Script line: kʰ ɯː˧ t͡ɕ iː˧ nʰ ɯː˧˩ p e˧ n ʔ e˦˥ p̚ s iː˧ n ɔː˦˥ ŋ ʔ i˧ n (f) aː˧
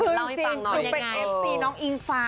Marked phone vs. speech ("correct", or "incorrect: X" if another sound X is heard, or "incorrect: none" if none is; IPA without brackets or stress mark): correct